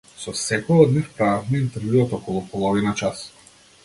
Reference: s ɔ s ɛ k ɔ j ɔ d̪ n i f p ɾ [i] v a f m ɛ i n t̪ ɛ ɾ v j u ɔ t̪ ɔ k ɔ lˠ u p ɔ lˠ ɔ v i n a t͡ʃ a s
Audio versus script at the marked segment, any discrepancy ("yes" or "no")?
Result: yes